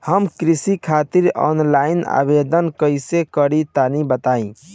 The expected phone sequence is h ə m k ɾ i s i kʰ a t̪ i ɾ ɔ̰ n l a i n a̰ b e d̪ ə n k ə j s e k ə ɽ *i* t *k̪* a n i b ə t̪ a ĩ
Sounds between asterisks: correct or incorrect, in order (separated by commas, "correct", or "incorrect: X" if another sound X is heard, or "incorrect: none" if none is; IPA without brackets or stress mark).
correct, correct